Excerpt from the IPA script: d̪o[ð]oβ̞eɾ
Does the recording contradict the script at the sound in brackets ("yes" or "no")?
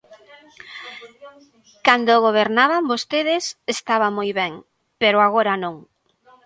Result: yes